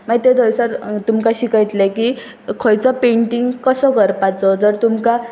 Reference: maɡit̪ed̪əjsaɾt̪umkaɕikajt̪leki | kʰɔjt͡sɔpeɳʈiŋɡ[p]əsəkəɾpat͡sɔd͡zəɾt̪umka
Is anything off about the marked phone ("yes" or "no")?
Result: yes